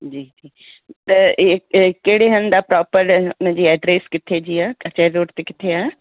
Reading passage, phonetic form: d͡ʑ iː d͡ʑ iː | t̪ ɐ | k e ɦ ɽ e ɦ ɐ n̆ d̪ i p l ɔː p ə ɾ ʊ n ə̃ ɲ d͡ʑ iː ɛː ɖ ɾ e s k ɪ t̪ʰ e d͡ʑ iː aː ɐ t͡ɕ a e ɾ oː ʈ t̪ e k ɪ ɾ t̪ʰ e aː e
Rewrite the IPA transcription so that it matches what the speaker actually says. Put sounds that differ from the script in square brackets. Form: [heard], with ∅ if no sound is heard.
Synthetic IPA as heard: d͡ʑ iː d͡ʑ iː | t̪ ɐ | k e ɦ ɽ e ɦ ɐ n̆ d̪ [a] p [ɾ] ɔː p ə ɾ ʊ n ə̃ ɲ d͡ʑ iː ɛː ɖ ɾ e s k ɪ t̪ʰ e d͡ʑ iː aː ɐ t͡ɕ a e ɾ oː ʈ t̪ e k ɪ [∅] t̪ʰ e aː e